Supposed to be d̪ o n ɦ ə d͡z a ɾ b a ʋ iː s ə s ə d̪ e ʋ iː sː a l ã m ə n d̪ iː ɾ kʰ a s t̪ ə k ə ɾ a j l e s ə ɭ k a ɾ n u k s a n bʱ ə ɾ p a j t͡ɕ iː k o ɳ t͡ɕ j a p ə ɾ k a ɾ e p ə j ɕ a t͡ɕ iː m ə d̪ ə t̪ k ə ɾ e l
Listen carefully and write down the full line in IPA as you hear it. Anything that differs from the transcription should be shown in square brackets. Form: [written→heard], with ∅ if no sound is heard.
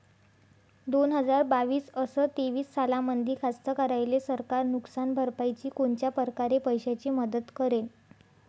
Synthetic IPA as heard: d̪ o n ɦ ə d͡z a ɾ b a ʋ iː s ə s ə [d̪→t̪] e ʋ iː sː a l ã m ə n d̪ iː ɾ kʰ a s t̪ ə k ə ɾ a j l e s ə [ɭ→ɾ] k a ɾ n u k s a n bʱ ə ɾ p a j t͡ɕ iː k o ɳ t͡ɕ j a p ə ɾ k a ɾ e p ə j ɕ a t͡ɕ iː m ə d̪ ə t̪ k ə ɾ e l